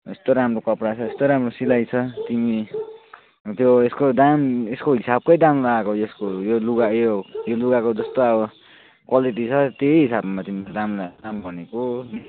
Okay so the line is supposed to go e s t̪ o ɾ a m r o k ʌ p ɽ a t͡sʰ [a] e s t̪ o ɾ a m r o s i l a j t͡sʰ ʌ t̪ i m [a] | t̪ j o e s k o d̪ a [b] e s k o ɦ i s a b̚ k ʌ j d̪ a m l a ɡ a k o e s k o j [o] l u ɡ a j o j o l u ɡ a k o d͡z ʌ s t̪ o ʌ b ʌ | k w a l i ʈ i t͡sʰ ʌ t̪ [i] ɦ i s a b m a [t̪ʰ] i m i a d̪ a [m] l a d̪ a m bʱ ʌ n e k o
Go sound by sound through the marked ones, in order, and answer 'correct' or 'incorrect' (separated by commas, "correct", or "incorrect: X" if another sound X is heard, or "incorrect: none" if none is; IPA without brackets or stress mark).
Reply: incorrect: ʌ, incorrect: i, incorrect: m, correct, incorrect: e, incorrect: t̪, correct